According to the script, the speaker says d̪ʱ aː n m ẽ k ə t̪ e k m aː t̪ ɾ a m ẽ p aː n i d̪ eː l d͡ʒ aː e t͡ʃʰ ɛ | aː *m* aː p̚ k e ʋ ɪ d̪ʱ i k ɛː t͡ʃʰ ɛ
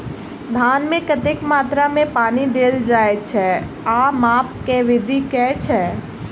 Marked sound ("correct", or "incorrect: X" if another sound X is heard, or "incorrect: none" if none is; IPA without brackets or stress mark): correct